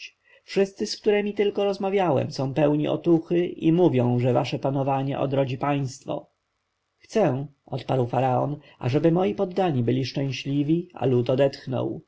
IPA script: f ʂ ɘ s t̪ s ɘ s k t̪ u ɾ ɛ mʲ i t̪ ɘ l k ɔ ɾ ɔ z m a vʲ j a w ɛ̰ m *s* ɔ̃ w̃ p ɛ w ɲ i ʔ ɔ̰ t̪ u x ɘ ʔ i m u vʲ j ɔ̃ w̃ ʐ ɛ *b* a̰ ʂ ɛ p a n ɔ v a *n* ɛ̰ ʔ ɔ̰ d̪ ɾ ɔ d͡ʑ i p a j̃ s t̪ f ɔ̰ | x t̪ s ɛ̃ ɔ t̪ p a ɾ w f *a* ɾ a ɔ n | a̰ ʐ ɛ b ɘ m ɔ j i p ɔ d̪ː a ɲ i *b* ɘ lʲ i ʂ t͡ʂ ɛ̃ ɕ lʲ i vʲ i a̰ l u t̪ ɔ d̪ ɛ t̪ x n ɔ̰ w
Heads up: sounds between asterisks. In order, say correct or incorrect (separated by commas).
correct, incorrect, incorrect, correct, correct